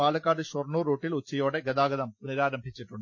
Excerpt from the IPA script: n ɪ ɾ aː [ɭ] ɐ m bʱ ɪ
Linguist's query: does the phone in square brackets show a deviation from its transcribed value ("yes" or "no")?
yes